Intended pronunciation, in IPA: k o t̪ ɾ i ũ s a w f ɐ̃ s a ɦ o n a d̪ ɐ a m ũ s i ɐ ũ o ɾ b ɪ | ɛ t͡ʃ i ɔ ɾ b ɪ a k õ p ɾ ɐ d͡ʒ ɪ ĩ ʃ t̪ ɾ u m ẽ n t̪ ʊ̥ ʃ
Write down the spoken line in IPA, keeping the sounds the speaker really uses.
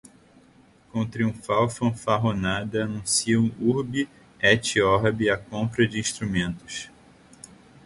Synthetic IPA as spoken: k õ t̪ ɾ i ũ f a w f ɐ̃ f a ɦ o n a d̪ ɐ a n ũ s i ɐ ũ u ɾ b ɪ | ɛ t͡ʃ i ɔ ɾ b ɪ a k õ p ɾ ɐ d͡ʒ ɪ ĩ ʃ t̪ ɾ u m ẽ n t̪ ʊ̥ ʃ

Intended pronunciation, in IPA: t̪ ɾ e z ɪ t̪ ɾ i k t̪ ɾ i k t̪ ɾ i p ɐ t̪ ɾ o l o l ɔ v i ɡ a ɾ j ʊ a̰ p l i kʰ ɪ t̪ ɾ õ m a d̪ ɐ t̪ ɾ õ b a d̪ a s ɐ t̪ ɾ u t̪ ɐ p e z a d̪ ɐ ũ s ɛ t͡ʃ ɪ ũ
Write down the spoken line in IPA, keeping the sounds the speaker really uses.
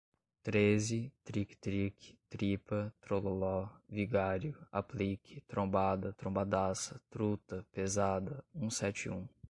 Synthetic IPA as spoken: t̪ ɾ e z ɪ t̪ ɾ i k t̪ ɾ i k t̪ ɾ i p ɐ t̪ ɾ o l o l ɔ v i ɡ a ɾ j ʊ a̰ p l i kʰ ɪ t̪ ɾ õ b a d̪ ɐ t̪ ɾ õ b a d̪ a s ɐ t̪ ɾ u t̪ ɐ p e z a d̪ ɐ ũ s ɛ t͡ʃ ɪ ũ

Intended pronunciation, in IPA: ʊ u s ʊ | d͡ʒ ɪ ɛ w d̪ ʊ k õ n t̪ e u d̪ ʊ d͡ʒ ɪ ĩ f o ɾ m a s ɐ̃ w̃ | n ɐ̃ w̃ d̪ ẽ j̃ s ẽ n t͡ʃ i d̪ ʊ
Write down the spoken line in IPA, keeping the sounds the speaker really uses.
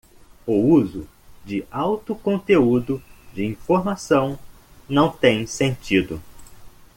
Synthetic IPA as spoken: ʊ u z ʊ | d͡ʒ ɪ a w t̪ ʊ k õ n t̪ e u d̪ ʊ d͡ʒ ɪ ĩ f o ɾ m a s ɐ̃ w̃ | n ɐ̃ w̃ t̪ ẽ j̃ s ẽ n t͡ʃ i d̪ ʊ

